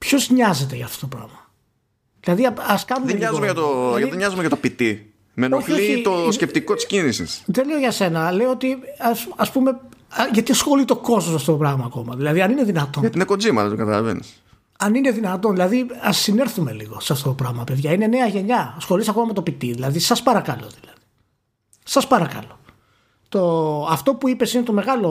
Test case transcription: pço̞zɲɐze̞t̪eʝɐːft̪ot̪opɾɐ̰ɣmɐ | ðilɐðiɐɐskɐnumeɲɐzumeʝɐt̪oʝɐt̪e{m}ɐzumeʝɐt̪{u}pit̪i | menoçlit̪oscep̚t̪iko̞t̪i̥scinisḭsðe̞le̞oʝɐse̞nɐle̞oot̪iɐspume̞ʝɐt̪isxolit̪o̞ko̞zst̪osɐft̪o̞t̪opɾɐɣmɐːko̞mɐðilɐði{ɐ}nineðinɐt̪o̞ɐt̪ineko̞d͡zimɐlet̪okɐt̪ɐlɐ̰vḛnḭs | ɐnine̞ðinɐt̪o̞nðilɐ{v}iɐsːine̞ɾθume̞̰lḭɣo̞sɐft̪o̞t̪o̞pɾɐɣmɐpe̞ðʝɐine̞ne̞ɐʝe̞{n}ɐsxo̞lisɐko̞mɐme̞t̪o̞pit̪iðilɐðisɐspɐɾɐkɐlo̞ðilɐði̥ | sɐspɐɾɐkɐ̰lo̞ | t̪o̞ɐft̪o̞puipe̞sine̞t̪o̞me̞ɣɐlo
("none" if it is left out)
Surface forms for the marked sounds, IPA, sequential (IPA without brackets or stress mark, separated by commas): ɲ, o, ɐ, ð, ɲ